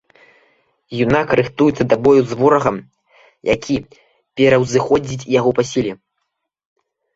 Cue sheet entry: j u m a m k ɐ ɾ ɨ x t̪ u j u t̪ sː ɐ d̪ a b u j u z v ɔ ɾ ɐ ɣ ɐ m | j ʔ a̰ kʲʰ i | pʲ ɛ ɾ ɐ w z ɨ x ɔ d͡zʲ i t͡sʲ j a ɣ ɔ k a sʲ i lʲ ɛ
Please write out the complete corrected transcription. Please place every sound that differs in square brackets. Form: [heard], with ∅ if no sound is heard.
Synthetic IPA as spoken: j u [n] a [∅] k ɐ ɾ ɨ x t̪ u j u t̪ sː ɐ d̪ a b [ɔ] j u z v ɔ ɾ ɐ ɣ ɐ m | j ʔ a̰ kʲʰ i | pʲ ɛ ɾ ɐ w z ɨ x ɔ d͡zʲ i t͡sʲ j a ɣ ɔ [p] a sʲ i lʲ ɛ